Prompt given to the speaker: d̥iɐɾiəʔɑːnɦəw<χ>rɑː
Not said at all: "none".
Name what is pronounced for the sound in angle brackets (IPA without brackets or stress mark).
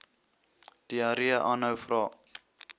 f